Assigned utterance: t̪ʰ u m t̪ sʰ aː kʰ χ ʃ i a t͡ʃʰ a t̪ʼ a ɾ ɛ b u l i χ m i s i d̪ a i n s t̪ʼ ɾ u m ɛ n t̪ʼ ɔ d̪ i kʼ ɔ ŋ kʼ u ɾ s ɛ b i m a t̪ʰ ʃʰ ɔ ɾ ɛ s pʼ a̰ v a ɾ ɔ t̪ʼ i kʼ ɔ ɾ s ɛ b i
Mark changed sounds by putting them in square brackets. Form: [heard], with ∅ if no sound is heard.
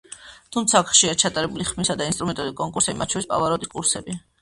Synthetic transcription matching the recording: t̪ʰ u m t̪ sʰ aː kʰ χ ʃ i a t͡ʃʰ a t̪ʼ a ɾ ɛ b u l i χ m i s [a] d̪ a i n s t̪ʼ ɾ u m ɛ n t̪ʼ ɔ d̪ i kʼ ɔ ŋ kʼ u ɾ s ɛ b i m a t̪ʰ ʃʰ ɔ ɾ [i] s pʼ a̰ v a ɾ ɔ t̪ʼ i kʼ [u] ɾ s ɛ b i